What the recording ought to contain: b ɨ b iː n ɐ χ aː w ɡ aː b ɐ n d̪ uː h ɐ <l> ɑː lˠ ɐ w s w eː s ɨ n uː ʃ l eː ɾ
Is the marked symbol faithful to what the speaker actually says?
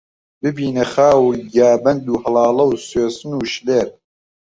yes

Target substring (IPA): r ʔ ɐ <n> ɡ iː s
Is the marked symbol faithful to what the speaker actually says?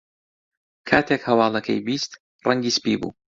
no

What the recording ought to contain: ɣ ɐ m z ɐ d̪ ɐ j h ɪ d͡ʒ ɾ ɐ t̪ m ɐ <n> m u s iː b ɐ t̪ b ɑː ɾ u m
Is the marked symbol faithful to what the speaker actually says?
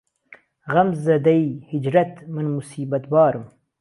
yes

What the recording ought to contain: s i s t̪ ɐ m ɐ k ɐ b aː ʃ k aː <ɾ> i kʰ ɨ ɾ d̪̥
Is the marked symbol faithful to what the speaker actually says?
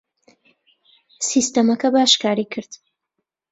yes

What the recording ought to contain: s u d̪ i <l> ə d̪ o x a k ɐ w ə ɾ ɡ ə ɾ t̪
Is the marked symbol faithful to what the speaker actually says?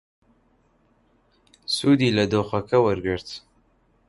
yes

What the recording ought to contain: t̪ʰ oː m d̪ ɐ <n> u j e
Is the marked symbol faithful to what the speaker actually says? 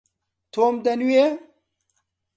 yes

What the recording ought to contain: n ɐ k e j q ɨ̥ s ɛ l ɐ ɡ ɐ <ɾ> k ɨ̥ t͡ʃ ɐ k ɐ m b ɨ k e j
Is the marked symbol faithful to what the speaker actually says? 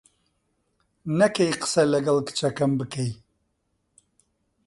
no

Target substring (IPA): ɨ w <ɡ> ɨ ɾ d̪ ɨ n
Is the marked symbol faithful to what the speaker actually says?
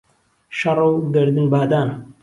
yes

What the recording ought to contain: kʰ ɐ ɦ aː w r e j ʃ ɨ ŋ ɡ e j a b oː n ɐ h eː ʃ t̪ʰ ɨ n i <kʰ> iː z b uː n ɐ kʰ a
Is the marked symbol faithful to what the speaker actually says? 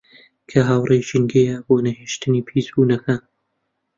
no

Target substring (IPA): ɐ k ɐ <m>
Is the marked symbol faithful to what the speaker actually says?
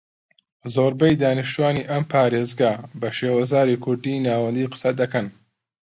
no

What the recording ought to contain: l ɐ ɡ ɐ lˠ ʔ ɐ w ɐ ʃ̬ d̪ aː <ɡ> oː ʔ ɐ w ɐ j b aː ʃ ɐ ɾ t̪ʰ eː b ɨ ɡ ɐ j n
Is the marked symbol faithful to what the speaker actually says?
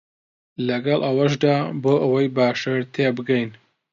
no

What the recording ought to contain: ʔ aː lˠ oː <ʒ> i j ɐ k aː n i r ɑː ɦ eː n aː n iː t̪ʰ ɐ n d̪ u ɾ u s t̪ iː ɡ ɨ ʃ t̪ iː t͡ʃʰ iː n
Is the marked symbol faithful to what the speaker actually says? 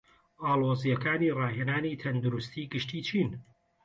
no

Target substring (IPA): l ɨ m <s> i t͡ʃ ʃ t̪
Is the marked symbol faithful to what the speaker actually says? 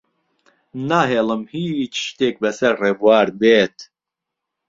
no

